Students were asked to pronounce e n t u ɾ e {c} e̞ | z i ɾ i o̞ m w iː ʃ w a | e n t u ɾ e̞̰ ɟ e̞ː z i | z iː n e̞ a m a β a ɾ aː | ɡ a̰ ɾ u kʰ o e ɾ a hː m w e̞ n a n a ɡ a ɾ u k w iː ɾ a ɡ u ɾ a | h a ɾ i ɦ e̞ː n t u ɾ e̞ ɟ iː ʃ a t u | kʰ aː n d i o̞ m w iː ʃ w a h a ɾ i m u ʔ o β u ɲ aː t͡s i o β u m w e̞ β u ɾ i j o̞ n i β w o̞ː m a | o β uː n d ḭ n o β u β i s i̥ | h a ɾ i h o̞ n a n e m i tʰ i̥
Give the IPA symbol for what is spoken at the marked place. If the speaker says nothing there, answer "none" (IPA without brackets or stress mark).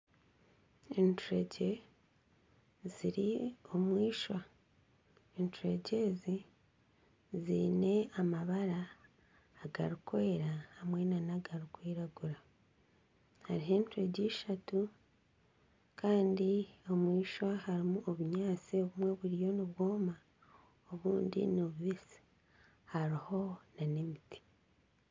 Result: ɟ